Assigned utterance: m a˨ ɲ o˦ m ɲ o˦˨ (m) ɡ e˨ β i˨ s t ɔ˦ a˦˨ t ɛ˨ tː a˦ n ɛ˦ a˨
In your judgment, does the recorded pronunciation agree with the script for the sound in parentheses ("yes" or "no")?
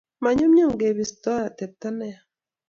no